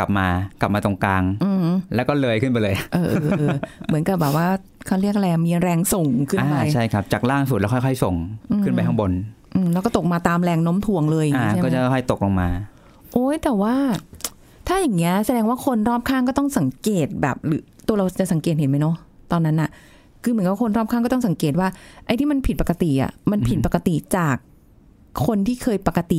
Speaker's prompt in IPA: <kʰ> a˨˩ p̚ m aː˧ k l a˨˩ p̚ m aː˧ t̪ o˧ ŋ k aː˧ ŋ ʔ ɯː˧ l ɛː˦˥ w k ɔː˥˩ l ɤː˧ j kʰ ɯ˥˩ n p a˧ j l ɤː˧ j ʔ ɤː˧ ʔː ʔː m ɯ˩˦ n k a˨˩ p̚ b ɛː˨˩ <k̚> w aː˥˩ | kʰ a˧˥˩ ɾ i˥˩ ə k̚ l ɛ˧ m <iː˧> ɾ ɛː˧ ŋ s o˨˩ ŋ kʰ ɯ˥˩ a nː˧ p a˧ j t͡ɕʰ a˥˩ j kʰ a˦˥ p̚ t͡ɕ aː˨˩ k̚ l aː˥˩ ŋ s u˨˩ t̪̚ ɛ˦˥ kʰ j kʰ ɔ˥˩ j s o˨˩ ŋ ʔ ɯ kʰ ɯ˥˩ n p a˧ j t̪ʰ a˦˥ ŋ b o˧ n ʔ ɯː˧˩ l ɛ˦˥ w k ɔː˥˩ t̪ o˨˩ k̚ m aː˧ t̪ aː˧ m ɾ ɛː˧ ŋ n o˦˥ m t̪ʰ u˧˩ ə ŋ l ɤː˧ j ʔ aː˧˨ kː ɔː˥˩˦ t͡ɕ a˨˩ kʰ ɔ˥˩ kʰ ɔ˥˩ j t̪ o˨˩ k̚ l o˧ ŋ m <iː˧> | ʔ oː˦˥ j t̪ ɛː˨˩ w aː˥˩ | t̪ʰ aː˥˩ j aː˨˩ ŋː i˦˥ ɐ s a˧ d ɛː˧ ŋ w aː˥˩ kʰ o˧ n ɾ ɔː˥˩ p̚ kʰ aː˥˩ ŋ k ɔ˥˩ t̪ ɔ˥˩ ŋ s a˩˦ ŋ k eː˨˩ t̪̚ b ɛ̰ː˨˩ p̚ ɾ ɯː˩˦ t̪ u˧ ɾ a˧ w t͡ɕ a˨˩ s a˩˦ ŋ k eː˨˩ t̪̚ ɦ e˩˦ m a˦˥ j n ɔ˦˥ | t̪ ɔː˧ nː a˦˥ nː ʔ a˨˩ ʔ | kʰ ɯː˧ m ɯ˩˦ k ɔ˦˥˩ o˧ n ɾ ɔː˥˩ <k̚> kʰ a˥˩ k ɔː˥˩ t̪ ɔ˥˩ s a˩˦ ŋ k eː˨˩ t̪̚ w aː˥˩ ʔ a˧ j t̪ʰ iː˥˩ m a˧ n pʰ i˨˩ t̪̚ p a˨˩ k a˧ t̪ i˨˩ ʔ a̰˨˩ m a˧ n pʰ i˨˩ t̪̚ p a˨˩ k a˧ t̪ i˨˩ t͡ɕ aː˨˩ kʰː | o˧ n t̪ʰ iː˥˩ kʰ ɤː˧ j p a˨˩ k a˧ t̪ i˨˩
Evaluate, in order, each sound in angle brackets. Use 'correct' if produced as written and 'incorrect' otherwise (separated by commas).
incorrect, incorrect, correct, incorrect, incorrect